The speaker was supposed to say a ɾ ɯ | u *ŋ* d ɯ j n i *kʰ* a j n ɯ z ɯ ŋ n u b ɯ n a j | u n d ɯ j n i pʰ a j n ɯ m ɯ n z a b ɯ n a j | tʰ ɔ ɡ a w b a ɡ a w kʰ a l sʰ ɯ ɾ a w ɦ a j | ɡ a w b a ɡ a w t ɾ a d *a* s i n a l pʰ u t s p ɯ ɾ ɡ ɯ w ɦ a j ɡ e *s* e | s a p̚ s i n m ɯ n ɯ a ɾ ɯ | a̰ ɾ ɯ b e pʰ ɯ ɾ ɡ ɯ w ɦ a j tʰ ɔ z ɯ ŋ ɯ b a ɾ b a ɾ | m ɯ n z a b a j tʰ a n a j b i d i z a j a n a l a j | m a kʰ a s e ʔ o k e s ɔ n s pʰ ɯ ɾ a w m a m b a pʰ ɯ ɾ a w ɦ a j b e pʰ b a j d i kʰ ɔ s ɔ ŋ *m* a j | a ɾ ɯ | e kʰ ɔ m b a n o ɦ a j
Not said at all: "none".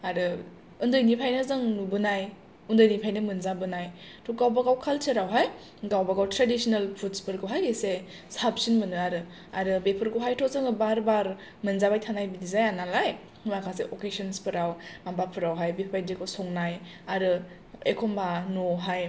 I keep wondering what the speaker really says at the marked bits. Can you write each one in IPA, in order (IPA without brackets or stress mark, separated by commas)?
n, pʰ, i, s, n